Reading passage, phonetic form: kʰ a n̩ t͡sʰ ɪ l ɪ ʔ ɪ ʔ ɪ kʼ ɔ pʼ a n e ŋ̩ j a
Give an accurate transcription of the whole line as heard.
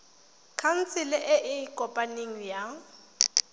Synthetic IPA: kʰ a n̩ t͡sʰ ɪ l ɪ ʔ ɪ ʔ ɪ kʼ ɔ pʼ a n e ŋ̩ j a